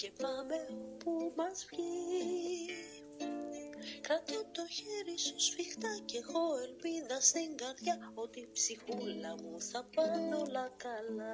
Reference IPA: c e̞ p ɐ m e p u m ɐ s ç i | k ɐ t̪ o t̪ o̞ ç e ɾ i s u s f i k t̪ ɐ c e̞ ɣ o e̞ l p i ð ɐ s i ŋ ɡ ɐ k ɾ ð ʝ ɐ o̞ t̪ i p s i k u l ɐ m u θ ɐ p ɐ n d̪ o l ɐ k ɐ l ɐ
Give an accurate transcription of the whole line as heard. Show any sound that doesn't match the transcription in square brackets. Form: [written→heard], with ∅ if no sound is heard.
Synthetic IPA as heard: c e̞ p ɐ m e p u m ɐ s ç i | k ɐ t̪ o t̪ o̞ ç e ɾ i s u s f i [k→x] t̪ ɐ c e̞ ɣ o e̞ l p i ð ɐ s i ŋ ɡ ɐ [k→∅] ɾ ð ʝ ɐ o̞ t̪ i p s i [k→x] u l ɐ m u θ ɐ p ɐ n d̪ o l ɐ k ɐ l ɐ